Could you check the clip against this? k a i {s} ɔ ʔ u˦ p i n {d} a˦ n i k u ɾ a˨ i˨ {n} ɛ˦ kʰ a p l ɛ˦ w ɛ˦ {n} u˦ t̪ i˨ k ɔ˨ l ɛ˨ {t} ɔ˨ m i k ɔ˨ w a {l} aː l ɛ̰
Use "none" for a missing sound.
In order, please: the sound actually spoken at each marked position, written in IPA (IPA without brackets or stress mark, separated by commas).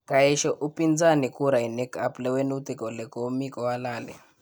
ʃ, d͡z, n, n, k, l